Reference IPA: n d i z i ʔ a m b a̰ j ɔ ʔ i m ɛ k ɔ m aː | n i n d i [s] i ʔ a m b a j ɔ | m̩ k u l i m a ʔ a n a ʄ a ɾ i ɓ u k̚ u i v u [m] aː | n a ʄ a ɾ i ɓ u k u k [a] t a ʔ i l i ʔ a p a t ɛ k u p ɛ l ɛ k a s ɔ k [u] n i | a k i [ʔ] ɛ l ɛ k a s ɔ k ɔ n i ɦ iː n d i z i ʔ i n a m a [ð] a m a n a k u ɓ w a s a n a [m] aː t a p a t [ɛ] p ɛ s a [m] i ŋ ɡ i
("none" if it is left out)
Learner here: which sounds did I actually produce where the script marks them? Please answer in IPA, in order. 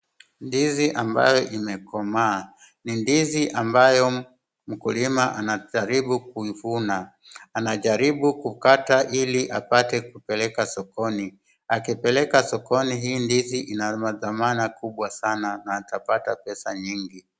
z, n, a, ɔ, p, ð, n, a, ɲ

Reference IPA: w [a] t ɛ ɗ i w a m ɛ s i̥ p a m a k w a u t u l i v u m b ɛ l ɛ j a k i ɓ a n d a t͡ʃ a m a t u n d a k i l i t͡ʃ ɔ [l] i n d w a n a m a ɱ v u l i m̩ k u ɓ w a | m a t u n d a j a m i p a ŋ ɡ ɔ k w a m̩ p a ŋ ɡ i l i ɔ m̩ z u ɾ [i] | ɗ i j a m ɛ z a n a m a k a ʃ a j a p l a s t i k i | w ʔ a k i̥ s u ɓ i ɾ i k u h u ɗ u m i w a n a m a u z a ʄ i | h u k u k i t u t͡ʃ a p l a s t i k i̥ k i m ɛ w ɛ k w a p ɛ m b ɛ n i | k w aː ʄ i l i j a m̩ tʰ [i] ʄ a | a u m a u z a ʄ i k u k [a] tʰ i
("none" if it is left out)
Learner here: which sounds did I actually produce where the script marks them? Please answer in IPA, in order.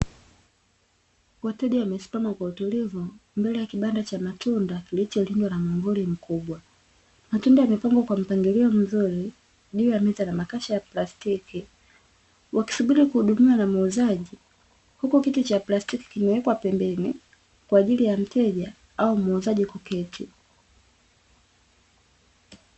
a, l, i, ɛ, ɛ

